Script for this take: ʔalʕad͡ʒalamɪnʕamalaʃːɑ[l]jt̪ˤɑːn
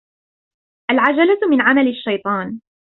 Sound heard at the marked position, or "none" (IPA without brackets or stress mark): none